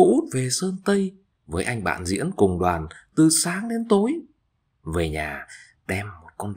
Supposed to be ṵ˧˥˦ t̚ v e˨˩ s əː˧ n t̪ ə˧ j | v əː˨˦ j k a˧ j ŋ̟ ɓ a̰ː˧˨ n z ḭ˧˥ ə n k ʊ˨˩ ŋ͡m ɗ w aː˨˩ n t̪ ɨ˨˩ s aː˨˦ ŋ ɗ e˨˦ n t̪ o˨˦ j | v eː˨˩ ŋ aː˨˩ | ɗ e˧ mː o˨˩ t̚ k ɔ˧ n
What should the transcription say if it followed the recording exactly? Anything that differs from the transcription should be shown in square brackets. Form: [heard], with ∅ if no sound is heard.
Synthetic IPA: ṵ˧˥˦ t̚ v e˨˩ s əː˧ n t̪ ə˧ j | v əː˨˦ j [ʔ] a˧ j ŋ̟ ɓ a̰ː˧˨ n z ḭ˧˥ ə n k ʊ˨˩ ŋ͡m ɗ w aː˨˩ n t̪ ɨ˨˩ s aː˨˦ ŋ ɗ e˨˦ n t̪ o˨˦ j | v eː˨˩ [ɲ] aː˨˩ | ɗ [ɛ˧] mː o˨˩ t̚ k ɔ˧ n

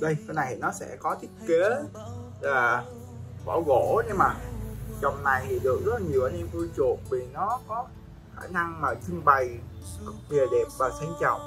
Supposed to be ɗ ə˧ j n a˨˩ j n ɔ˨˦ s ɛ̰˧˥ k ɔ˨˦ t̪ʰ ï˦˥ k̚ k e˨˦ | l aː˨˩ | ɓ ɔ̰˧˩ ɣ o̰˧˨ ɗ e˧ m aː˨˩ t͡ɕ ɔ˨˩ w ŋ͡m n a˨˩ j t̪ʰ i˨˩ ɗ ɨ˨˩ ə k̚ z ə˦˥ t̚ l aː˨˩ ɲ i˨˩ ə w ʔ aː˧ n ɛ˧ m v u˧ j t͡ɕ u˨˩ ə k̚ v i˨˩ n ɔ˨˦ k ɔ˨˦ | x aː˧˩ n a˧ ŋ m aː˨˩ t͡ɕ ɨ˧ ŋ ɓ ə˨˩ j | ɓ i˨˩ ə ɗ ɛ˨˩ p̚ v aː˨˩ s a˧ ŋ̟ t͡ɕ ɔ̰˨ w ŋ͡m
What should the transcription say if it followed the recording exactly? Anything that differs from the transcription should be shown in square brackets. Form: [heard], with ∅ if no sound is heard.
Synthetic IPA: ɗ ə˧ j n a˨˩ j n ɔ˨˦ s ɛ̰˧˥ k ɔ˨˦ t̪ʰ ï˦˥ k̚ k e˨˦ | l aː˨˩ | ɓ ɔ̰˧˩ ɣ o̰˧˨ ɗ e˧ m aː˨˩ t͡ɕ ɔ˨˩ w ŋ͡m n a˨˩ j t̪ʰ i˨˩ ɗ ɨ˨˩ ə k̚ z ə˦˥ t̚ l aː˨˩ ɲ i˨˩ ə w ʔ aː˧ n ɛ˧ m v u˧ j t͡ɕ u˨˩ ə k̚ v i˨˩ n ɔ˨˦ k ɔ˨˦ | x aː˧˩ n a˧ ŋ m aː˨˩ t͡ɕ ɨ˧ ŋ ɓ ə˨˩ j | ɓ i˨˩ ə ɗ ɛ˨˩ p̚ v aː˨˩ s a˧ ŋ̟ t͡ɕ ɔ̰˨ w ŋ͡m

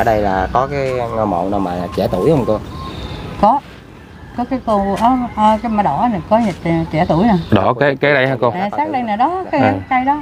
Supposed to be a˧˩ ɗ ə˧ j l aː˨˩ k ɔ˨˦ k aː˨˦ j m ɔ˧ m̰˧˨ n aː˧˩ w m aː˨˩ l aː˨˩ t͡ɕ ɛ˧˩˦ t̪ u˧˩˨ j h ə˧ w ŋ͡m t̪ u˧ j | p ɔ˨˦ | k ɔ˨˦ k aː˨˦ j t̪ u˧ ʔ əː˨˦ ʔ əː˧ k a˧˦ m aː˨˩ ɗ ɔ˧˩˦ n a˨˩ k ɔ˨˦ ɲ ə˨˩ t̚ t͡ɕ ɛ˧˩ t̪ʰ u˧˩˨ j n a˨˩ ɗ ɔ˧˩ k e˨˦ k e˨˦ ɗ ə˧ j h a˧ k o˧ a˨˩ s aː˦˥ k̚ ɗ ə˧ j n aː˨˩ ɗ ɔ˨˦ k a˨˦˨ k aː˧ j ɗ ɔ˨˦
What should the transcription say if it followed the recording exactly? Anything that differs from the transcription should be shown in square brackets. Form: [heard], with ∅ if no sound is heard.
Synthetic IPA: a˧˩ ɗ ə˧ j l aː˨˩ k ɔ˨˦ k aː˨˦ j [ŋ] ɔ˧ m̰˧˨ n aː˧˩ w m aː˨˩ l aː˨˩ t͡ɕ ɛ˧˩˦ t̪ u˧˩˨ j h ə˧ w ŋ͡m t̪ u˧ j | [k] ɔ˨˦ | k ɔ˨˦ k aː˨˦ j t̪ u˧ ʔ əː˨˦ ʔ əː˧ k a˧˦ m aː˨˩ ɗ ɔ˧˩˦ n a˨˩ k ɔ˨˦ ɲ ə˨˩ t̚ t͡ɕ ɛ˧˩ [t̪] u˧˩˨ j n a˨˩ ɗ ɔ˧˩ k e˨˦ k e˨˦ ɗ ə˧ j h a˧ k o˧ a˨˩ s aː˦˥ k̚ ɗ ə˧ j n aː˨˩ ɗ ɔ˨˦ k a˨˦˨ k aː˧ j ɗ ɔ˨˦

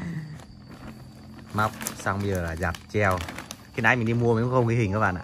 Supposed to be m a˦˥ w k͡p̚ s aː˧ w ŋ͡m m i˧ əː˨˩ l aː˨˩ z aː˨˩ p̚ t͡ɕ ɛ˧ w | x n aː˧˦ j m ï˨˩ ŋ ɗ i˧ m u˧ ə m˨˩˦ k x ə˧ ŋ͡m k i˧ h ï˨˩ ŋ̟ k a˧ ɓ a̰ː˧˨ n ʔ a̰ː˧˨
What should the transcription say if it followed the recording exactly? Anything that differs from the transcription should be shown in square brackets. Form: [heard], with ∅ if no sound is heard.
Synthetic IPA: m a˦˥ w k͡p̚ s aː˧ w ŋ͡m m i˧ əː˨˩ l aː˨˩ z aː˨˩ p̚ t͡ɕ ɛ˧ w | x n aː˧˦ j m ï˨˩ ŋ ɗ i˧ m u˧ ə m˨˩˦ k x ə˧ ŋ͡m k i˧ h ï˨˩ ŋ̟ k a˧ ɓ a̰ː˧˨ n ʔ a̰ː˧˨

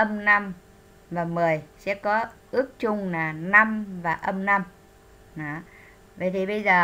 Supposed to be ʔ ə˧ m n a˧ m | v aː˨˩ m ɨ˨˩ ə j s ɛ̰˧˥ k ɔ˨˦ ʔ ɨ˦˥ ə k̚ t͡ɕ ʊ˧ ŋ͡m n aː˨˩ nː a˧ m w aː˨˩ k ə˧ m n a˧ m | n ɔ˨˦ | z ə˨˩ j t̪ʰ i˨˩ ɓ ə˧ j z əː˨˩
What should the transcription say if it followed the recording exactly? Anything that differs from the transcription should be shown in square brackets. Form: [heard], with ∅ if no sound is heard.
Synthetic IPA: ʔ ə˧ m n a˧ m | v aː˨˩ m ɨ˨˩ ə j s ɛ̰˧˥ k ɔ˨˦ ʔ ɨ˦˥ ə k̚ t͡ɕ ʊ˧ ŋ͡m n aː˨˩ [n] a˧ m [v] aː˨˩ [ʔ] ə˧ m n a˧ m | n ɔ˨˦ | [v] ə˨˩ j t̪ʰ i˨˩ ɓ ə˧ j z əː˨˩

